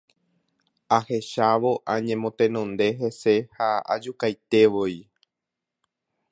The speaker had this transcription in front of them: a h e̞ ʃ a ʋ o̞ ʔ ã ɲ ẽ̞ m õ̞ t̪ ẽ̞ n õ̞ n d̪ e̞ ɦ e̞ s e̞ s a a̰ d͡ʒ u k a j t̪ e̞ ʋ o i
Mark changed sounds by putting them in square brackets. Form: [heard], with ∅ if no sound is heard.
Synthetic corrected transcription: a h e̞ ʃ a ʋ o̞ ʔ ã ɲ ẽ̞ m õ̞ t̪ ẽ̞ n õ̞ n d̪ e̞ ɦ e̞ s e̞ [h] a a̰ d͡ʒ u k a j t̪ e̞ ʋ o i

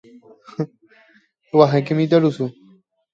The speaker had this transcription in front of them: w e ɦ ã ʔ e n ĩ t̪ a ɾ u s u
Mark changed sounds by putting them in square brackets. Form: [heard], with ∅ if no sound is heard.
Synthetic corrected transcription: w [a] ɦ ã [k] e [m] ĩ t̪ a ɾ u s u

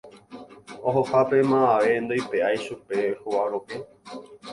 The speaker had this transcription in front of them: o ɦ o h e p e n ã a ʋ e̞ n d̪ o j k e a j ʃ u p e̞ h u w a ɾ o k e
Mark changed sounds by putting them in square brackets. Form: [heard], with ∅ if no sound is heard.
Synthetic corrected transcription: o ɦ o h [a] p e [m] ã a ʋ e̞ n d̪ o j [p] e a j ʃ u p e̞ h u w a ɾ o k e

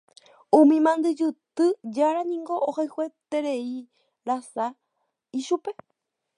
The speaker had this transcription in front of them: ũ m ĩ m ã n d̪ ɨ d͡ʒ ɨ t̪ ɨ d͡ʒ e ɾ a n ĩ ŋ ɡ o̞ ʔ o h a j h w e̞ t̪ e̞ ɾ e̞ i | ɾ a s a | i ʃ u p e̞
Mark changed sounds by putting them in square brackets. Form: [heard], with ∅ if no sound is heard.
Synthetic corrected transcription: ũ m ĩ m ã n d̪ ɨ d͡ʒ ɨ t̪ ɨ d͡ʒ [a] ɾ a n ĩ ŋ ɡ o̞ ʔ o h a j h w e̞ t̪ e̞ ɾ e̞ i | ɾ a s a | i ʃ u p e̞

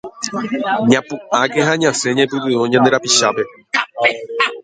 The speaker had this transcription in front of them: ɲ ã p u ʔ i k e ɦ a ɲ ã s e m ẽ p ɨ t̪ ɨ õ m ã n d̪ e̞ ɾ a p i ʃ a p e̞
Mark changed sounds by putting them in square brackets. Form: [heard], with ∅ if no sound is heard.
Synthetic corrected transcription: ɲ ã p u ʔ [a] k e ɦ a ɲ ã s e [ɲ] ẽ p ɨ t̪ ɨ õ [ɲ] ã n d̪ e̞ ɾ a p i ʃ a p e̞

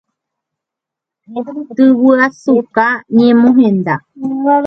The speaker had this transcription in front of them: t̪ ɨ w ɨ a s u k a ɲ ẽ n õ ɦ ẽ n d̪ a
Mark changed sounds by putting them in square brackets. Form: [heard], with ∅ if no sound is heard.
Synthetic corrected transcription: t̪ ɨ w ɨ a s u k a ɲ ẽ [m] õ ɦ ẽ n d̪ a

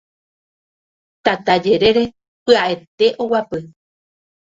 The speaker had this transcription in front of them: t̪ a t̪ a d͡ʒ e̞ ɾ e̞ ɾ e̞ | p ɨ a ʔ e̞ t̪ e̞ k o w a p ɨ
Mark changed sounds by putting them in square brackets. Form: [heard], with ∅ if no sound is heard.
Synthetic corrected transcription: t̪ a t̪ a d͡ʒ e̞ ɾ e̞ ɾ e̞ | p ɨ a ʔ e̞ t̪ e̞ [ʔ] o w a p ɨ

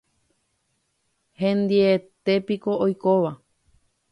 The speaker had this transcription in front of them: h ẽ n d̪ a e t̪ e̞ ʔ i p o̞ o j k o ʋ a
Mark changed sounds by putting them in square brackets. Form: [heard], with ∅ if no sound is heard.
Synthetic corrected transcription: h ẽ n d̪ [i] e t̪ e̞ [p] i [k] o̞ o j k o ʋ a

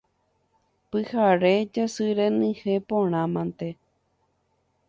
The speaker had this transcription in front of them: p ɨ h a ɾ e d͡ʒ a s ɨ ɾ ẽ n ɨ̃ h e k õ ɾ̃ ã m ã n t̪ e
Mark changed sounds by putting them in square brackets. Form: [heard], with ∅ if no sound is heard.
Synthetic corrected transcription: p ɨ h a ɾ e d͡ʒ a s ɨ ɾ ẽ n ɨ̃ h e [p] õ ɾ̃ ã m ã n t̪ e

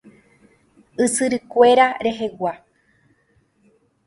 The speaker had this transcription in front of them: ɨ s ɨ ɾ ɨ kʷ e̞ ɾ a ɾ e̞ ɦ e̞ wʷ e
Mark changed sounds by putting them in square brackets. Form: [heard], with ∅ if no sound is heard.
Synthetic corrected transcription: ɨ s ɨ ɾ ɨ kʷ e̞ ɾ a ɾ e̞ ɦ e̞ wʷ [a]

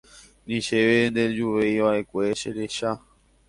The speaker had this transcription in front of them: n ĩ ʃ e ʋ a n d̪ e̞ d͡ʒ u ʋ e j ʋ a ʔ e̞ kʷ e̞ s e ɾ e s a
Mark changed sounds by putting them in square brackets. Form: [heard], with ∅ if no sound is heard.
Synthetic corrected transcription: n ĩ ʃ e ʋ [e] n d̪ e̞ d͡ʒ u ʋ e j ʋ a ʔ e̞ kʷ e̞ [ʃ] e ɾ e [ʃ] a

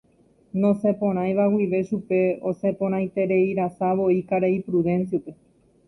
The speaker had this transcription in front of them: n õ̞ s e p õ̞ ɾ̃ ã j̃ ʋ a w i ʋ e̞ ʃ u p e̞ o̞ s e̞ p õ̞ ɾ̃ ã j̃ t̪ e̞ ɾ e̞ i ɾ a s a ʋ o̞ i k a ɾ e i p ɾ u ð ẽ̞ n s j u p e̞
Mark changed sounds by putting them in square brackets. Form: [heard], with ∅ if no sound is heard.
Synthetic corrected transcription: n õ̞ s e p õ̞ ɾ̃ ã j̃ ʋ a w i ʋ e̞ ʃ u p e̞ o̞ s e̞ p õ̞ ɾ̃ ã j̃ t̪ e̞ ɾ e̞ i ɾ a s a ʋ o̞ i k a ɾ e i p ɾ u ð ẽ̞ n s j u p e̞

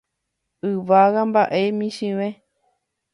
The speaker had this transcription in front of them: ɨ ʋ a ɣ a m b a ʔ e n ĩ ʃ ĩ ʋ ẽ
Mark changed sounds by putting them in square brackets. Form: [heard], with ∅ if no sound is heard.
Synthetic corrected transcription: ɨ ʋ a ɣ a m b a ʔ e [m] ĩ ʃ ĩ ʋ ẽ

